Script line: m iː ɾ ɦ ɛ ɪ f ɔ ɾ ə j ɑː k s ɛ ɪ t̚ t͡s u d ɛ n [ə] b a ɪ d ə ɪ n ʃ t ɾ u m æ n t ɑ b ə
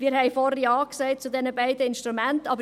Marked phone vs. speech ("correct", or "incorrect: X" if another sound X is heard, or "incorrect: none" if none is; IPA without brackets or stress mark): correct